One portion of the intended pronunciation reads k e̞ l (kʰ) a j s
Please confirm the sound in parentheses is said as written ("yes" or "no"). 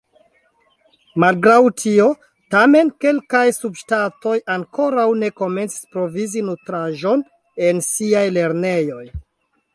no